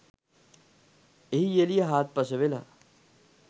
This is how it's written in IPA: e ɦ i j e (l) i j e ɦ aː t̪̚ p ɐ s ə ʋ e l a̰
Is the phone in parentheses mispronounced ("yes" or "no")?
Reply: no